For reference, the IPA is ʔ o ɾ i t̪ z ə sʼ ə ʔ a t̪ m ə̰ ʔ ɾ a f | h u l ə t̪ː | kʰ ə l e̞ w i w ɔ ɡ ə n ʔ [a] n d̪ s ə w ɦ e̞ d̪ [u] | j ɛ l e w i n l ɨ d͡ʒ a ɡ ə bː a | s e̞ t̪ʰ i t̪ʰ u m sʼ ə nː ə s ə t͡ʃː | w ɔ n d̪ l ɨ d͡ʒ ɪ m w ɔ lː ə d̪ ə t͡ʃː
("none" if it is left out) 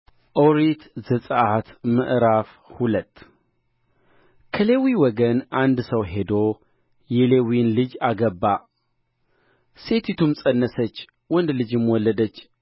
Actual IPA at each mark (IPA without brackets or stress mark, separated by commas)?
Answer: a, o